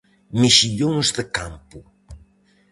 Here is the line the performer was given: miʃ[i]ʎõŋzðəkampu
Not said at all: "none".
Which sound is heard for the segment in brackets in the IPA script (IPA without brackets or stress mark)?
i